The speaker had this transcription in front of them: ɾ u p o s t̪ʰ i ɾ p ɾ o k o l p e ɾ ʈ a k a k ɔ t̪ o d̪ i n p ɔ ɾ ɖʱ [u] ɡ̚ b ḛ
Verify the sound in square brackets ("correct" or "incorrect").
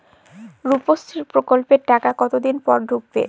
correct